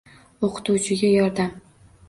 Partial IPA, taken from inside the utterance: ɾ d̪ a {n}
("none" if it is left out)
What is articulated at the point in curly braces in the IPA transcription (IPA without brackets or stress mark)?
m